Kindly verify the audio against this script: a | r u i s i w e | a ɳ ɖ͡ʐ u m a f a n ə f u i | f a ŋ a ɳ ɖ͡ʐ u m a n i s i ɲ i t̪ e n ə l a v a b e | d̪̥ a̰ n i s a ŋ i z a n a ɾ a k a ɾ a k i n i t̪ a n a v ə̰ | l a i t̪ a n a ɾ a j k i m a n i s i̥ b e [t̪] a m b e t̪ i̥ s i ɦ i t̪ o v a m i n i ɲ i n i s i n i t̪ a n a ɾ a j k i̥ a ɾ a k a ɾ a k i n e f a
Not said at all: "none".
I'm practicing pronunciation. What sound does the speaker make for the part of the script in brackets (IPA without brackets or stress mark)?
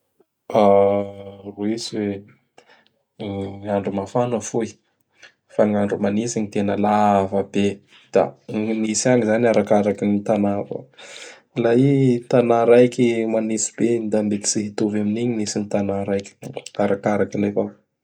d̪